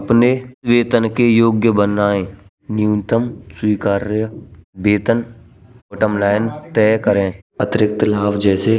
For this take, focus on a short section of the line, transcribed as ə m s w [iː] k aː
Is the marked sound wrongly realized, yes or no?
no